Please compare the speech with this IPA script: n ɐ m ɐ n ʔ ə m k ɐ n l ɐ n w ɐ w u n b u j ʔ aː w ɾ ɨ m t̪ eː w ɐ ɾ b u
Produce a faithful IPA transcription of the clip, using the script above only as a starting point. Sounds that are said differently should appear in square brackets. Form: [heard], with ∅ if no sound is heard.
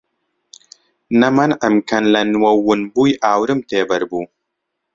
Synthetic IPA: n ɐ m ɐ n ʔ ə m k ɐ n l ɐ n w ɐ w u n b u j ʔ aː w ɾ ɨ m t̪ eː [b] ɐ ɾ b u